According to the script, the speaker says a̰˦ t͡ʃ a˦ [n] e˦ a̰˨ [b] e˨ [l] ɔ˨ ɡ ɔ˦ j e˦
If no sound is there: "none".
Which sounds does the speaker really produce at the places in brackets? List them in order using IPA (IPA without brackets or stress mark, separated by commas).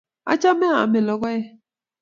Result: m, m, l